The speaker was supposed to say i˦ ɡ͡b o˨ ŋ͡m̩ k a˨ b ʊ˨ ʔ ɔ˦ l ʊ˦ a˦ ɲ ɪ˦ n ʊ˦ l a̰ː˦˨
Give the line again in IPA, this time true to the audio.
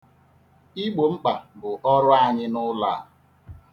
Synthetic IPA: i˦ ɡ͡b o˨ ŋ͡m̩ k͡p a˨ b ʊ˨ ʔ ɔ˦ ɾ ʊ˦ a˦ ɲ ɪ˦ n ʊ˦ l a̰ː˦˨